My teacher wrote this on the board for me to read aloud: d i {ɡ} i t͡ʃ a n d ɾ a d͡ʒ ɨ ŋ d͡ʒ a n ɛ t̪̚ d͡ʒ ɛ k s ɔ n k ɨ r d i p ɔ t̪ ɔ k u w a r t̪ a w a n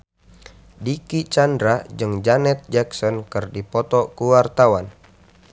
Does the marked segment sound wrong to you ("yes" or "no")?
yes